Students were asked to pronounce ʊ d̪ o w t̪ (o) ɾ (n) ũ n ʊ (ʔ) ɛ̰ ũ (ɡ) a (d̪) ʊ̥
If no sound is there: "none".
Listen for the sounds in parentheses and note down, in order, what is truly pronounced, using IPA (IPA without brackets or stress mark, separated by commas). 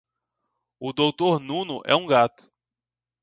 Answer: o, n, ʔ, ɡ, t̪